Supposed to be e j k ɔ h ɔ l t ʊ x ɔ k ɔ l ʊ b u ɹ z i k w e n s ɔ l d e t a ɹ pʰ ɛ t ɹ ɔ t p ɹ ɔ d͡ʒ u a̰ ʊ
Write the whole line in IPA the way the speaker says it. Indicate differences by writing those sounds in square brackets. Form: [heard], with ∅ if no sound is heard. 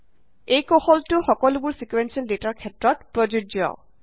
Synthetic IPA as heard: e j k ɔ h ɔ l t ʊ x ɔ k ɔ l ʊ b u ɹ [s] i k w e n s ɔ l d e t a ɹ [kʰ] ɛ t ɹ ɔ t p ɹ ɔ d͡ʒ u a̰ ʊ